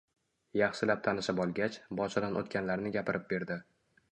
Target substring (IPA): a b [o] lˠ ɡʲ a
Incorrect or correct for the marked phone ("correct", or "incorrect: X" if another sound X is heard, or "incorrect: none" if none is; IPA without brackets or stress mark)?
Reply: incorrect: ɒ